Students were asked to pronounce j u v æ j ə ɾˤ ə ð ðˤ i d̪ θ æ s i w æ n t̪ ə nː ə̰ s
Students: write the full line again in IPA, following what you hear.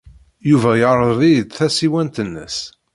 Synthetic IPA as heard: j u v æ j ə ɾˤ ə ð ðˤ i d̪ θ æ s i w æ n t̪ ə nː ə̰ s